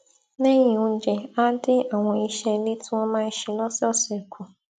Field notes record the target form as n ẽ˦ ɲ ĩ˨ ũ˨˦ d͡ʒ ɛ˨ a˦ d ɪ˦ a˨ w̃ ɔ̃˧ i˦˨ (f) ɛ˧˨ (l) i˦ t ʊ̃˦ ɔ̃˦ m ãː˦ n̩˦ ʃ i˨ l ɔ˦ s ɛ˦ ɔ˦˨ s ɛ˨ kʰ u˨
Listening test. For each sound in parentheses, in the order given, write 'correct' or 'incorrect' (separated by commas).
incorrect, correct